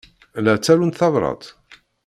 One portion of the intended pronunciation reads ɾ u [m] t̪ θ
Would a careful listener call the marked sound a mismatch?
yes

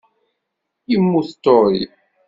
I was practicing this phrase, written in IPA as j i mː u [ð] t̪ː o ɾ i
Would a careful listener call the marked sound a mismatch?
yes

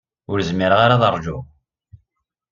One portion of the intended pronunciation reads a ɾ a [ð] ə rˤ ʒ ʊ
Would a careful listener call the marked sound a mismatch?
no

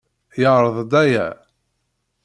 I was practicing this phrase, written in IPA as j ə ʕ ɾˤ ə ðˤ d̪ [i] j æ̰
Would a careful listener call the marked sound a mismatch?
yes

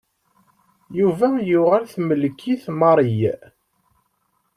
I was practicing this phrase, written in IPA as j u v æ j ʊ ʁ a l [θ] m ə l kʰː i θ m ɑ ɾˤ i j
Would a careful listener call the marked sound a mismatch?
no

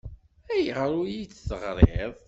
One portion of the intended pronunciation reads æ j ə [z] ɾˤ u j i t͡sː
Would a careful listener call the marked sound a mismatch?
yes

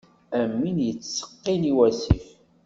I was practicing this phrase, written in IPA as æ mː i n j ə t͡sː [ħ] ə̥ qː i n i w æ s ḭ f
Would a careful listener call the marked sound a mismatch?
yes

